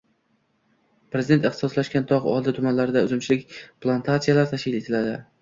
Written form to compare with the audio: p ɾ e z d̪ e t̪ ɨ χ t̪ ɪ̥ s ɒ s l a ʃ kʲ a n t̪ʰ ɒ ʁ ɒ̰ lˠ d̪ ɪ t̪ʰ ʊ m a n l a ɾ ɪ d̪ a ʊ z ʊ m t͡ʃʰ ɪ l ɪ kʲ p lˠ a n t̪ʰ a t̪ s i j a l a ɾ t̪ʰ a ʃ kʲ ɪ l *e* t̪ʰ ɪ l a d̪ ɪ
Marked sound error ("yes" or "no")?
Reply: no